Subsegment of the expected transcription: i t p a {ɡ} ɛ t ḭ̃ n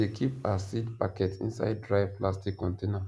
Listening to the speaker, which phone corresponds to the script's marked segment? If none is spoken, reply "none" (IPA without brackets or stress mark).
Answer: k